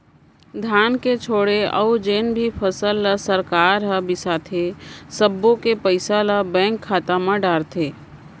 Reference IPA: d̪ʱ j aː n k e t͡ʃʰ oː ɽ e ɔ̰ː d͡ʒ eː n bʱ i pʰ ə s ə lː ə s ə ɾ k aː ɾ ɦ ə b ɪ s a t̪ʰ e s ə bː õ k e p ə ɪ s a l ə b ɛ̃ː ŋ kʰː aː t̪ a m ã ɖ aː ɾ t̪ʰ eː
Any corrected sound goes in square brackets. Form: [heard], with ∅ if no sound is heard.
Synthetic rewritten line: d̪ʱ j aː n k e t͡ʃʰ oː ɽ e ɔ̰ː d͡ʒ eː n bʱ i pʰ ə s ə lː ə s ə ɾ k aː ɾ ɦ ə b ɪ s a t̪ʰ e s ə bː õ k e p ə ɪ s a l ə b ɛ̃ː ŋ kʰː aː t̪ a m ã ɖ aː ɾ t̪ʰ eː

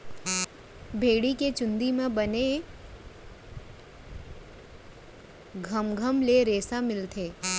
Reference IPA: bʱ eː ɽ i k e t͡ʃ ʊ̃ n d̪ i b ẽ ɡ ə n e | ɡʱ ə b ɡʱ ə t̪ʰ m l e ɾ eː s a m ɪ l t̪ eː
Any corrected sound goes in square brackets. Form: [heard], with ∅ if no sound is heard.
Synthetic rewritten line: bʱ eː ɽ i k e t͡ʃ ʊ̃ n d̪ i [m] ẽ [b] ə n e | ɡʱ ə [m] ɡʱ ə [∅] m l e ɾ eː s a m ɪ l [t̪ʰ] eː

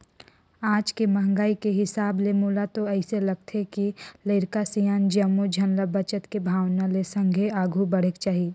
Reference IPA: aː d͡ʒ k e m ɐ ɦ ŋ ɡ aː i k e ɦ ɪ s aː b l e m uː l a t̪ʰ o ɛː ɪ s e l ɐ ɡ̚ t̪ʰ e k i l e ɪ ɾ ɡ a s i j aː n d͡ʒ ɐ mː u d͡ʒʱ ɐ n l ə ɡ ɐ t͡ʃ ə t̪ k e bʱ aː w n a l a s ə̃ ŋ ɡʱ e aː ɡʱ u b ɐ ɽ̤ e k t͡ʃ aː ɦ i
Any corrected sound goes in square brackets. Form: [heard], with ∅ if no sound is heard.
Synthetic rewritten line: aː d͡ʒ k e m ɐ ɦ ŋ ɡ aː i k e ɦ ɪ s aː b l e m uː l a [t̪] o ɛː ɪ s e l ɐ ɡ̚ t̪ʰ e k i l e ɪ ɾ [k] a s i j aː n d͡ʒ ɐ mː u d͡ʒʱ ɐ n l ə [b] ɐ t͡ʃ ə t̪ k e bʱ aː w n a l [e] s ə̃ ŋ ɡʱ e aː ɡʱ u b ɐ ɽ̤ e k t͡ʃ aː ɦ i

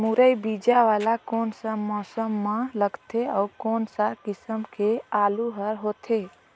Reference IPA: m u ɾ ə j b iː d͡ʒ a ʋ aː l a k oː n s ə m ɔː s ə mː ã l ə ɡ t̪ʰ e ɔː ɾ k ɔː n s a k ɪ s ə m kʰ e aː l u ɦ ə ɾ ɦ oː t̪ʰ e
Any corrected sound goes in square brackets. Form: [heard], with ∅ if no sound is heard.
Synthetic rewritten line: m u ɾ ə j b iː d͡ʒ a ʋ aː l a k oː n s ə m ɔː s ə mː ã l ə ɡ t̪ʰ e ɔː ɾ k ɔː n s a k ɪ s ə m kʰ e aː l u ɦ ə ɾ ɦ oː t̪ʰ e

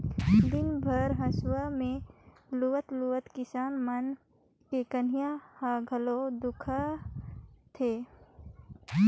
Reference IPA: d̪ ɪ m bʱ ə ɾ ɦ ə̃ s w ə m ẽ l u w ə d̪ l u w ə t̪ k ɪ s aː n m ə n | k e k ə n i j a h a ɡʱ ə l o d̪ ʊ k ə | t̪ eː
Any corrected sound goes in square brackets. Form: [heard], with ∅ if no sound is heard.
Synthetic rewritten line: d̪ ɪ [n] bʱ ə ɾ ɦ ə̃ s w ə m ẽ l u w ə [t̪] l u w ə t̪ k ɪ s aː n m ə n | k e k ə n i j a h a ɡʱ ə l o d̪ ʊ [kʰ] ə | [t̪ʰ] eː

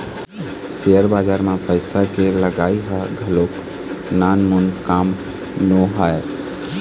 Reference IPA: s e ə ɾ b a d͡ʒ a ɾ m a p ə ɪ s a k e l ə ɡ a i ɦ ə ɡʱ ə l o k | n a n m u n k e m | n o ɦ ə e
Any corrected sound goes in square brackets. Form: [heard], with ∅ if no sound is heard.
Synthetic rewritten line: s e ə ɾ b a d͡ʒ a ɾ m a p ə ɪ s a k e l ə ɡ a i ɦ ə ɡʱ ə l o k | n a n m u n k [a] m | n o ɦ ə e

